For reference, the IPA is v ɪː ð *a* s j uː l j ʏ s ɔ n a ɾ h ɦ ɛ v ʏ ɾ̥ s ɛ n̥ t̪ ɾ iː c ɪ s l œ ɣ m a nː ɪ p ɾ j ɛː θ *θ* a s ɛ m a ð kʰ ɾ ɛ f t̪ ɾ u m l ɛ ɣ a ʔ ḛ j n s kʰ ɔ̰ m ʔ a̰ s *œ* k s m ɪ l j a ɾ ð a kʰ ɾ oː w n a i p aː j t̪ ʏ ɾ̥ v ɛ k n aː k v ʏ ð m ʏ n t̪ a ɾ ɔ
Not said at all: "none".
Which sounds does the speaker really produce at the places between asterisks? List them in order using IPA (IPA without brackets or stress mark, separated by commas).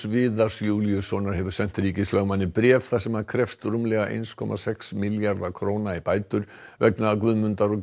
a, θ, ɛ